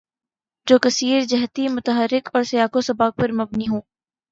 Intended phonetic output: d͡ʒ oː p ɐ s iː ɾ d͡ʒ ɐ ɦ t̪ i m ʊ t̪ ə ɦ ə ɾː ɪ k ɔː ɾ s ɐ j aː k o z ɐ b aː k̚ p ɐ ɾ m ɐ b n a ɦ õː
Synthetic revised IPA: d͡ʒ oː k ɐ s iː ɾ d͡ʒ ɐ ɦ t̪ i m ʊ t̪ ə ɦ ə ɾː ɪ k ɔː ɾ s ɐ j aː k o s ɐ b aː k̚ p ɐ ɾ m ɐ b n i ɦ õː